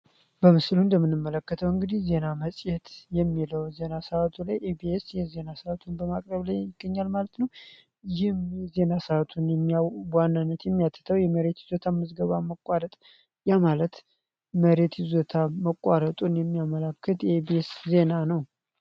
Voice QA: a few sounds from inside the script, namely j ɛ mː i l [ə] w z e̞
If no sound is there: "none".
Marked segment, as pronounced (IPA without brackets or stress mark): ə